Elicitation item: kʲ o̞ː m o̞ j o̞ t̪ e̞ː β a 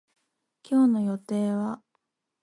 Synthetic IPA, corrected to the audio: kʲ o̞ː n o̞ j o̞ t̪ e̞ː β a